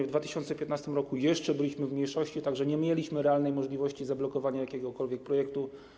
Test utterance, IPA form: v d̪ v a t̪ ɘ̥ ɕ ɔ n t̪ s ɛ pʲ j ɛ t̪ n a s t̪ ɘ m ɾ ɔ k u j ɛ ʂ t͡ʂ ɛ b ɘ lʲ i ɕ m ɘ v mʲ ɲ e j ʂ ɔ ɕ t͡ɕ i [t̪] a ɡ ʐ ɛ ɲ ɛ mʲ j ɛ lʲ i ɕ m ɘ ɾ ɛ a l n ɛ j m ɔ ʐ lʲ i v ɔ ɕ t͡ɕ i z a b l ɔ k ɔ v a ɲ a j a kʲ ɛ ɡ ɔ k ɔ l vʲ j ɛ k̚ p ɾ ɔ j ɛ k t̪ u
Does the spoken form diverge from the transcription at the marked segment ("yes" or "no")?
no